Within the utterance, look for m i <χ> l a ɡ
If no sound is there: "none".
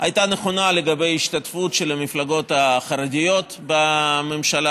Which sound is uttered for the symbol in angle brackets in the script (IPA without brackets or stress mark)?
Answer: f